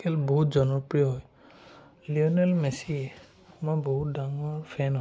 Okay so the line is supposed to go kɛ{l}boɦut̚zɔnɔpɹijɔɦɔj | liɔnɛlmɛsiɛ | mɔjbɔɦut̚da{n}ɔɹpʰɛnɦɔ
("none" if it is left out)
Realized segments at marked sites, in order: l, ŋ

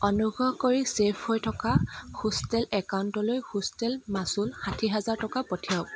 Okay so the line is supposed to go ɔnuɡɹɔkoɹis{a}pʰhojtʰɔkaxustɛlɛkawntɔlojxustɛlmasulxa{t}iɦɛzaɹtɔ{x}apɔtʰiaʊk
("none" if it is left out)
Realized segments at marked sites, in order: e, tʰ, k

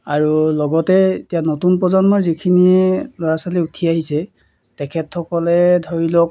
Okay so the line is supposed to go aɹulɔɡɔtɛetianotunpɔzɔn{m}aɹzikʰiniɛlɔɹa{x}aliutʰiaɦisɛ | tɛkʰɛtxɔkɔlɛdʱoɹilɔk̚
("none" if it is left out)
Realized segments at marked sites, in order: m, s

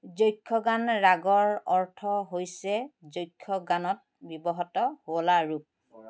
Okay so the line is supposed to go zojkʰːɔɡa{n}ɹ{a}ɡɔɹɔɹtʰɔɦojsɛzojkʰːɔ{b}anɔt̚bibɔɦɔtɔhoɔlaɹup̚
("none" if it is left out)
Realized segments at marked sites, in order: n, a, ɡ

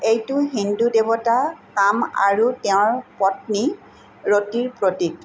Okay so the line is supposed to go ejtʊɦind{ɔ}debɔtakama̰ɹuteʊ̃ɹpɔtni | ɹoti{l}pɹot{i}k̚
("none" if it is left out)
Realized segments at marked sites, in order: u, ɹ, i

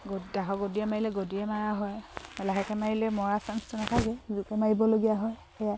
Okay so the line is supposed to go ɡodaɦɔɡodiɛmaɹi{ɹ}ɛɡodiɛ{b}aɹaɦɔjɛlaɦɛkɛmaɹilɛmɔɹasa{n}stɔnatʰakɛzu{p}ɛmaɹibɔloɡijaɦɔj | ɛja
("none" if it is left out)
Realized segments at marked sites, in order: l, m, n, k

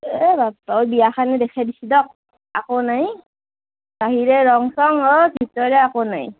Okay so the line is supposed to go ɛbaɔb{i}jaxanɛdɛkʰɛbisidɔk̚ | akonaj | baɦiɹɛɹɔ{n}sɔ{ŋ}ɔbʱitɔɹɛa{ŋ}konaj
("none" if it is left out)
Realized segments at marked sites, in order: i, ŋ, ŋ, none

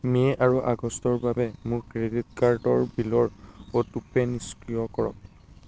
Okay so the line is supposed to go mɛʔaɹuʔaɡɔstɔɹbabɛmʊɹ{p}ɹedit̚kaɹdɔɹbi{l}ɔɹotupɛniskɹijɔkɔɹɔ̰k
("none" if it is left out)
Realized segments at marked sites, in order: k, l

